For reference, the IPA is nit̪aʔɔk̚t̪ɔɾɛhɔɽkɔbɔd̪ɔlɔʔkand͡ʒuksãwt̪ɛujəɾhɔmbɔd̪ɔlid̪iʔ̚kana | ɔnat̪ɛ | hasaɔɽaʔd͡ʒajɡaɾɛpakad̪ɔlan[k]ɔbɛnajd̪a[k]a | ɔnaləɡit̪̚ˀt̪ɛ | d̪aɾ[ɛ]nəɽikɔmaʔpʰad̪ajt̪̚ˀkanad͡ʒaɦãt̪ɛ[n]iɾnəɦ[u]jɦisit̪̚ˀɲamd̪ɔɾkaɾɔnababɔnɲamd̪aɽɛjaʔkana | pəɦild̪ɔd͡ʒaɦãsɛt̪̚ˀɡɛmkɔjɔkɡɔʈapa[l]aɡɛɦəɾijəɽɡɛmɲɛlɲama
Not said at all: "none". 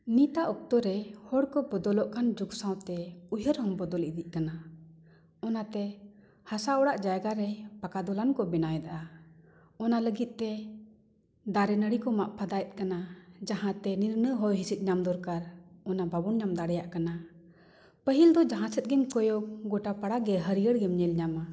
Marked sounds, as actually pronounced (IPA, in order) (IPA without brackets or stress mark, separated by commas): k, ʔ, ɛ, n, ɔ, ɽ